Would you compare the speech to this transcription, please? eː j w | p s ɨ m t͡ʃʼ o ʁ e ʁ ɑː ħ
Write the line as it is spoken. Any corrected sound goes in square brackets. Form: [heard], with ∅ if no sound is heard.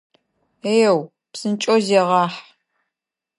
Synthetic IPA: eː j w | p s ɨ [n] t͡ʃʼ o [z] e ʁ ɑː ħ